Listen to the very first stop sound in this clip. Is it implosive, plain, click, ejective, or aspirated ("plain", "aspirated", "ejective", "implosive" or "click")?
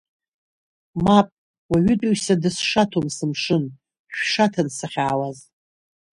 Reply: ejective